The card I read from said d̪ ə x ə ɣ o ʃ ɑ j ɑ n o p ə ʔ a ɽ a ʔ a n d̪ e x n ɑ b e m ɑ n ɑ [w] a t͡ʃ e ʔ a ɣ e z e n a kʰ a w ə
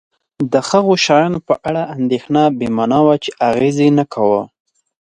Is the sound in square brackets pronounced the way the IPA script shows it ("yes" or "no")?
yes